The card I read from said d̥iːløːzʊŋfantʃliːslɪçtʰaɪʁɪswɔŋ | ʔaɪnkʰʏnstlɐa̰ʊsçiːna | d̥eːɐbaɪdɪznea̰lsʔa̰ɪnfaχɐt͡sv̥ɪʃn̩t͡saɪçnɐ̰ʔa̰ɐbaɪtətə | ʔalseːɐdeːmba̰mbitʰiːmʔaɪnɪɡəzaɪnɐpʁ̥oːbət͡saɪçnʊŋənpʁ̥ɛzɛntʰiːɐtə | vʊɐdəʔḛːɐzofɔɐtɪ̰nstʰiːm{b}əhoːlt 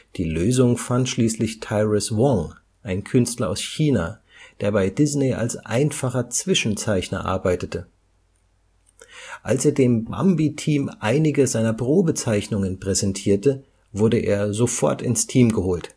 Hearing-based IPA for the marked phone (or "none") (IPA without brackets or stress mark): ɡ